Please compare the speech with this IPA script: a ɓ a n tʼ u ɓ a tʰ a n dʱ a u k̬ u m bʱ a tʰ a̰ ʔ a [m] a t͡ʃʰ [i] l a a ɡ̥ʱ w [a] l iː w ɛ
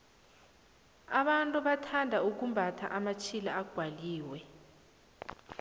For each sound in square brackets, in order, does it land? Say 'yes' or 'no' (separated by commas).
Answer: yes, yes, yes